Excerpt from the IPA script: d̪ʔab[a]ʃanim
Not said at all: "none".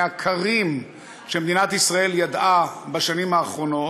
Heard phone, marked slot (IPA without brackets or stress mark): a